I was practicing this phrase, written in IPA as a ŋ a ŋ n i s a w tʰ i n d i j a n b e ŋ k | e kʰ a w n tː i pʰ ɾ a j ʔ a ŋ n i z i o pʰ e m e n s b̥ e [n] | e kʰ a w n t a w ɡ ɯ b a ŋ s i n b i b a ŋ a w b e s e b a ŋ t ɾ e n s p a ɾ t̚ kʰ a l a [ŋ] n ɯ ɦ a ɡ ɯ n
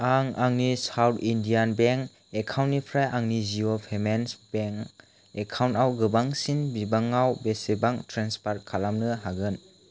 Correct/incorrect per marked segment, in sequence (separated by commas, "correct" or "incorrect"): incorrect, incorrect